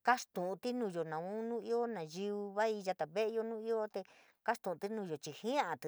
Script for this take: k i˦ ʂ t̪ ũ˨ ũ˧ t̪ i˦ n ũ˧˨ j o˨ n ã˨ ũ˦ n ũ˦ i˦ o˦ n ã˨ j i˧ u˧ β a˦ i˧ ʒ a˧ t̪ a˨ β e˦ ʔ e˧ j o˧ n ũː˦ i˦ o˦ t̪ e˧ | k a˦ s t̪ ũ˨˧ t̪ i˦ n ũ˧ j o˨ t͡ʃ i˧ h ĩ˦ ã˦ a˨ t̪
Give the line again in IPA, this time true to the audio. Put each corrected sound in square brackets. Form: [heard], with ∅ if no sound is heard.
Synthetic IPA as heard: k [a˦] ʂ t̪ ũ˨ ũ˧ t̪ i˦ n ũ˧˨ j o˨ n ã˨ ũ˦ n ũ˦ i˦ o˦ n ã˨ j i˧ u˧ β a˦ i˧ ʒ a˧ t̪ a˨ β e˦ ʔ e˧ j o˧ n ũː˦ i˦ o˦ t̪ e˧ | k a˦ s t̪ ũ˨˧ t̪ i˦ n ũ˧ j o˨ t͡ʃ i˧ h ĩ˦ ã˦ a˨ t̪

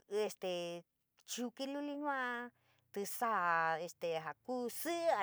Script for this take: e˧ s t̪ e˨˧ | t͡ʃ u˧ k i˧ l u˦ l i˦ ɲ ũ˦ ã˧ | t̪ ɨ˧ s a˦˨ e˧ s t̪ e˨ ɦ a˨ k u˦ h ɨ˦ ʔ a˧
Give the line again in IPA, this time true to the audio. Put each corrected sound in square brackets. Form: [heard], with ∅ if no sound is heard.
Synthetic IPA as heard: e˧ s t̪ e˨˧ | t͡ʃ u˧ k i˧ l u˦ l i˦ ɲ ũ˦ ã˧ | t̪ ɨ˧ s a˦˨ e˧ s t̪ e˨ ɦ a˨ k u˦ [s] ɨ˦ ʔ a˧

